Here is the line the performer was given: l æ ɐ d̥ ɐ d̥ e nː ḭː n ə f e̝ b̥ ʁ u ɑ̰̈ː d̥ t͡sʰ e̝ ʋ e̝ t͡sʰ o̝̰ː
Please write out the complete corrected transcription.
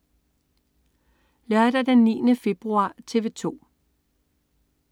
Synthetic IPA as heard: l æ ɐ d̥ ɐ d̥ e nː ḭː n ə f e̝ b̥ ʁ u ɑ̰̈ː t͡sʰ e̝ ʋ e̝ t͡sʰ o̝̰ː